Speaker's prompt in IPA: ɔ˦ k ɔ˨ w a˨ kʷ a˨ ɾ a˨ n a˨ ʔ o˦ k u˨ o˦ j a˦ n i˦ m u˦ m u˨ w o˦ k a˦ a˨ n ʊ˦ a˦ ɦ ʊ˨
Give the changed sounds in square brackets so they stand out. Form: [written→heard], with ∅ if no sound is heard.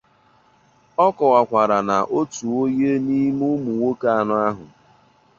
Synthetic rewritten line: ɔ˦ k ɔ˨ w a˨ kʷ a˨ ɾ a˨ n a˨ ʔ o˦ [k→t] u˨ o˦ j [a˦→e˦] n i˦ m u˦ m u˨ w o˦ k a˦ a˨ n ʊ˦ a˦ ɦ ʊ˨